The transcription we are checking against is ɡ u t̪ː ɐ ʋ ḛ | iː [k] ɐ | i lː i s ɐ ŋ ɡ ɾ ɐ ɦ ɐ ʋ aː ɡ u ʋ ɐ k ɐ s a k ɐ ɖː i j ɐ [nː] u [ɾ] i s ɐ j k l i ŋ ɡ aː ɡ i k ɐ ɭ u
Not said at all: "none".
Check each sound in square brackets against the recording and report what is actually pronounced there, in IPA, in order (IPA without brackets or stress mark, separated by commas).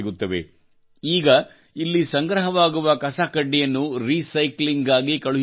ɡ, nː, ɾ